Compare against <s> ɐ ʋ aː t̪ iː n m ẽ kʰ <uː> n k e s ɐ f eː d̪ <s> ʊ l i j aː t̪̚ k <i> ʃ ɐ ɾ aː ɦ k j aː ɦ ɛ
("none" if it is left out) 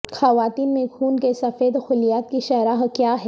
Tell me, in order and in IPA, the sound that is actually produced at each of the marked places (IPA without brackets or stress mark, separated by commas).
x, uː, x, i